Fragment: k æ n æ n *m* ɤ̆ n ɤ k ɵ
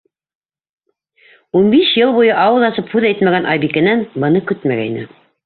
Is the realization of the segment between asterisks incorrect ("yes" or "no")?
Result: yes